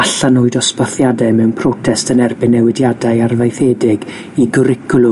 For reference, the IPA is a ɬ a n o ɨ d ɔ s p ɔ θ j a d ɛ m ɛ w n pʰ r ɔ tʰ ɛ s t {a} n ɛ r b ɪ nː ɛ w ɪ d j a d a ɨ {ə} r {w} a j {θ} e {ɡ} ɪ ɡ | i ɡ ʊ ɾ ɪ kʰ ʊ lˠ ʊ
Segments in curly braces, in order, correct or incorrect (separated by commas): incorrect, incorrect, incorrect, correct, incorrect